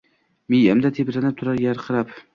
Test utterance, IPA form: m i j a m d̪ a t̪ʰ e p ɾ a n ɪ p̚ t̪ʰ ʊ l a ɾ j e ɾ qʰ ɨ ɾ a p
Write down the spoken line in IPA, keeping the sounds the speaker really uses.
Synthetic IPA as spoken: m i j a m d̪ a t̪ʰ e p ɾ a n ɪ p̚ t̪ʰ ʊ ɾ a ɾ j a ɾ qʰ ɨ ɾ a p